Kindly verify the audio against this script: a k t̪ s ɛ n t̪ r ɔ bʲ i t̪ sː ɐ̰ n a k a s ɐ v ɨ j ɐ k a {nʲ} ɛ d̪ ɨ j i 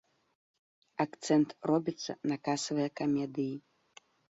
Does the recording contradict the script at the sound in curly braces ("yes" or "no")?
yes